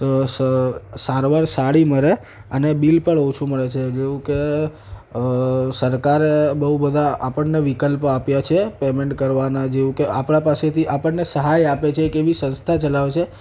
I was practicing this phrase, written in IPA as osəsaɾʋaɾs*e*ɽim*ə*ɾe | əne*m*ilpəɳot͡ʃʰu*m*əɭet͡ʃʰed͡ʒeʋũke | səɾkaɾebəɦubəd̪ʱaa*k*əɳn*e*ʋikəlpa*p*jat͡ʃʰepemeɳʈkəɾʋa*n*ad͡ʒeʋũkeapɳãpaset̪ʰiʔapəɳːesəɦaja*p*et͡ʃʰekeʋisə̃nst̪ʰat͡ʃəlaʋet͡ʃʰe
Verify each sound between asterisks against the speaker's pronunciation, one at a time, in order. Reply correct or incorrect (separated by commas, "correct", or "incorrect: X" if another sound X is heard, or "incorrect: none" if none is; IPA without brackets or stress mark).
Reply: incorrect: a, correct, incorrect: b, correct, incorrect: p, correct, correct, correct, correct